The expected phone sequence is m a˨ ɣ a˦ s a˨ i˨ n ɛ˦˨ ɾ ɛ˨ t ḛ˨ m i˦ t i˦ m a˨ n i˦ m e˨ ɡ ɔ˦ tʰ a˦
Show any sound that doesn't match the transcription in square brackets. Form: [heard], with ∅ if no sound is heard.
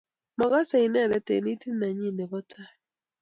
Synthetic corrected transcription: m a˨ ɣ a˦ s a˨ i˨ n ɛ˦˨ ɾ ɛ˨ t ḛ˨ [n] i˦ t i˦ [n] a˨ [ɲ] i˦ [n] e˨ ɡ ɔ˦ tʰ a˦